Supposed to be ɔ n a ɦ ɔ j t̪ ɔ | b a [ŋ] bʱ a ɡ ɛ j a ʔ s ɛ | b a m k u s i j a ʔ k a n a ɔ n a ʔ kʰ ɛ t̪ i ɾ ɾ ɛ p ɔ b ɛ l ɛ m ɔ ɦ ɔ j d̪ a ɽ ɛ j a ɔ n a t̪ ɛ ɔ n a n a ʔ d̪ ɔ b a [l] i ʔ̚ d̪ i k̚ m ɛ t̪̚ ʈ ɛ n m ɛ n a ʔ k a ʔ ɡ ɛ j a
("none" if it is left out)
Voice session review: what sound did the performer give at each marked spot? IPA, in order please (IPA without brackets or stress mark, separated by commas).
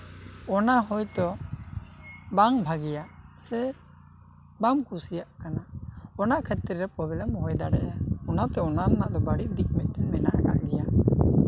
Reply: ŋ, ɽ